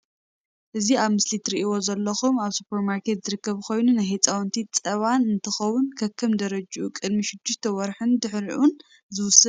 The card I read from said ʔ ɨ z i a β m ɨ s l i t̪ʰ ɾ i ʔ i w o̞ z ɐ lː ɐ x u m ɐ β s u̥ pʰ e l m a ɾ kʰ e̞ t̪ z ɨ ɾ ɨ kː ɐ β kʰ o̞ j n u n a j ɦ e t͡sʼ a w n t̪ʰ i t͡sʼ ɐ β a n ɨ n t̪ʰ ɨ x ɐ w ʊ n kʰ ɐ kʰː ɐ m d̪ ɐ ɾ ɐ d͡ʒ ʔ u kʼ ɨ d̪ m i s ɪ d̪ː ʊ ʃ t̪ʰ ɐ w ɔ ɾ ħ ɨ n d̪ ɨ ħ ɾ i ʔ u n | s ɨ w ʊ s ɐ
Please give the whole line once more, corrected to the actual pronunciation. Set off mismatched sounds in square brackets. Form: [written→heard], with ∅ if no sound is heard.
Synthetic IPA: ʔ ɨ z i a β m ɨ s l i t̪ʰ ɾ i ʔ i w o̞ z ɐ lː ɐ x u m [ɐ→a] β s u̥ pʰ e [l→ɾ] m a ɾ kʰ e̞ t̪ z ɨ ɾ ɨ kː ɐ β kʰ o̞ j n u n a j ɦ e t͡sʼ a w n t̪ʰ i t͡sʼ ɐ β a n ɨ n t̪ʰ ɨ x ɐ w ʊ n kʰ ɐ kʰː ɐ m d̪ ɐ ɾ ɐ d͡ʒ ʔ u kʼ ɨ d̪ m i [s→ʃ] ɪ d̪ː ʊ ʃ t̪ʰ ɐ w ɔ ɾ ħ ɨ n d̪ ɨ ħ ɾ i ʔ u n | [s→z] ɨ w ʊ s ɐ

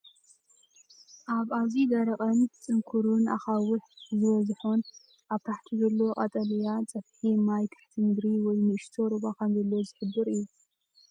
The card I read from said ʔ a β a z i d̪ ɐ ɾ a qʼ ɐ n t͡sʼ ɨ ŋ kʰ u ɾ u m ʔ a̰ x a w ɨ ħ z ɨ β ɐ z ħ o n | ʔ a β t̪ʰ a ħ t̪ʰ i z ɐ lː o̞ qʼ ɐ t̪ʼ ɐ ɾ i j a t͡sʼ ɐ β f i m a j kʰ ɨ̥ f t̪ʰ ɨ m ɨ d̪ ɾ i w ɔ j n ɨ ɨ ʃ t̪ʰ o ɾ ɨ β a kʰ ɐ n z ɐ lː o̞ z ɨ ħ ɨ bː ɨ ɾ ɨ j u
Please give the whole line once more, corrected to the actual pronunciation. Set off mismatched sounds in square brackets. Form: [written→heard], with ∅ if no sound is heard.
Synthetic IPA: ʔ a β a z i d̪ ɐ ɾ [a→ɐ] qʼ ɐ n t͡sʼ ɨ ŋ kʰ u ɾ u [m→n] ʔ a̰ x a w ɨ ħ z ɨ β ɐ z ħ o n | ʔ a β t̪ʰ a ħ t̪ʰ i z ɐ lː o̞ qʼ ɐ t̪ʼ ɐ [ɾ→l] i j a t͡sʼ ɐ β [f→ħ] i m a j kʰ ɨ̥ [f→ħ] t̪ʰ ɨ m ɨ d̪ ɾ i w ɔ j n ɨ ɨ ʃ t̪ʰ o ɾ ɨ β a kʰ ɐ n z ɐ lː o̞ z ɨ ħ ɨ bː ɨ ɾ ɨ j u

